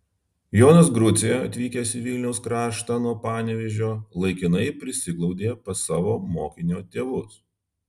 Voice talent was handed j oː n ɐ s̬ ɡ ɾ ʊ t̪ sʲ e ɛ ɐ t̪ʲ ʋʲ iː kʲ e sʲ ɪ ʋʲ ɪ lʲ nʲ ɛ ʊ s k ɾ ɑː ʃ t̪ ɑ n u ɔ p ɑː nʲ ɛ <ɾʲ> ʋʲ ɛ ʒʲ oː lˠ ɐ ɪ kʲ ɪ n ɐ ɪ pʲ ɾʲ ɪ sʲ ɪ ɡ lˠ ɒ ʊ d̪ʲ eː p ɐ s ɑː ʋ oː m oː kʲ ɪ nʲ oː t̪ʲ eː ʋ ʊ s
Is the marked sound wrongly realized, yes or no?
yes